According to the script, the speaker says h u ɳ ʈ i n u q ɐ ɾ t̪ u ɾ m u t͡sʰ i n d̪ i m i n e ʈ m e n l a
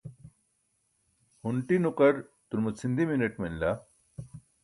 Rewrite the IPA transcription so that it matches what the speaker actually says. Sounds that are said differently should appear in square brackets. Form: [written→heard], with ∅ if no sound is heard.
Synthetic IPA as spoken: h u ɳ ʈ i n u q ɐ ɾ t̪ u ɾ m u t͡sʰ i n d̪ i m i n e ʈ m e n l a